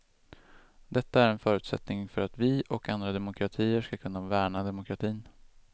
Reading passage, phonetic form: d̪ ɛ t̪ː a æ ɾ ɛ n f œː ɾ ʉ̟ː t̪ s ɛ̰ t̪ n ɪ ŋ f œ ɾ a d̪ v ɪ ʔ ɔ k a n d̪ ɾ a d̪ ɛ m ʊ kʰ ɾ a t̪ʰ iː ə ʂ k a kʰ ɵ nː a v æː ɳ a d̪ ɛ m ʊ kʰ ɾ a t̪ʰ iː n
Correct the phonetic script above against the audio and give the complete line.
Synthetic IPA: d̪ ɛ t̪ː a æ ɾ ɛ n f œː ɾ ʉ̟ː t̪ s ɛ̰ t̪ n ɪ ŋ f œ ɾ a t̪ v ɪ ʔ ɔ k a n d̪ ɾ a d̪ ɛ m ʊ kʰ ɾ a t̪ʰ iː ə ʂ k a kʰ ɵ nː a v æː ɳ a d̪ ɛ m ʊ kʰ ɾ a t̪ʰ iː n